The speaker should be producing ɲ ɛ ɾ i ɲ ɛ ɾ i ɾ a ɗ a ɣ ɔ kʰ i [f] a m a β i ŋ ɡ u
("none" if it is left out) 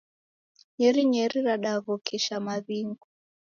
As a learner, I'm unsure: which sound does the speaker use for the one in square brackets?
ʃ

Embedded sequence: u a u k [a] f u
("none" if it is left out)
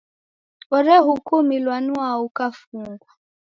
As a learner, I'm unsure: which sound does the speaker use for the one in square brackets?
a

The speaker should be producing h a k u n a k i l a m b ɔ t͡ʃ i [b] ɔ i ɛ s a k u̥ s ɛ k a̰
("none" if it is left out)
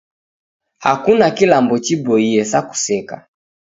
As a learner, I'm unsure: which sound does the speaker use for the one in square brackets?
b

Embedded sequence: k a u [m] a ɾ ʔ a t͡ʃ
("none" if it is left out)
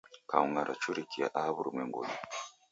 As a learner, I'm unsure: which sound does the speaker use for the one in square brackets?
ŋ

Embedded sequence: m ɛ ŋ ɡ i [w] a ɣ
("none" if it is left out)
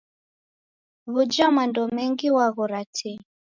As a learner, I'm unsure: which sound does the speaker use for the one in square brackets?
w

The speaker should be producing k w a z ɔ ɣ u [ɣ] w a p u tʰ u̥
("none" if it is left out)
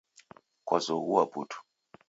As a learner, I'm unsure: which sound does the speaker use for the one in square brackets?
none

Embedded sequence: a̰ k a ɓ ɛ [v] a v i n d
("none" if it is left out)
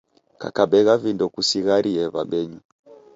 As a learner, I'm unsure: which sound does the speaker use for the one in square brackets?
ɣ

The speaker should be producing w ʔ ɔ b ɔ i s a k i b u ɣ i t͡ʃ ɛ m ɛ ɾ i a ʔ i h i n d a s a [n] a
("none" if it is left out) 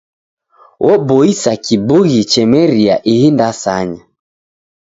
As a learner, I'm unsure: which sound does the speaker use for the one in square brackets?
ɲ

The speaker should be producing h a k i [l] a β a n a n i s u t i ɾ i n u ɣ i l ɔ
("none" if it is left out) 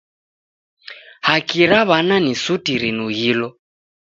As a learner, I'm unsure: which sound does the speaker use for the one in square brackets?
ɾ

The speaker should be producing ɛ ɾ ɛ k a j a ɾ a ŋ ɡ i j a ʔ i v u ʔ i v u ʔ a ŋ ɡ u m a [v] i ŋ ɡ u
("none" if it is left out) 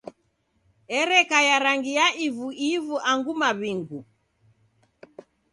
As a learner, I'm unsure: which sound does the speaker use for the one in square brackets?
β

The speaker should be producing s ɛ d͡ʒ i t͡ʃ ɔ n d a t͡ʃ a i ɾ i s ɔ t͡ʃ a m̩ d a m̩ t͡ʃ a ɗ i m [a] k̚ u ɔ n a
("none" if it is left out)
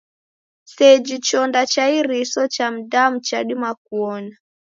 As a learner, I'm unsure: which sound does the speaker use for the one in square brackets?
a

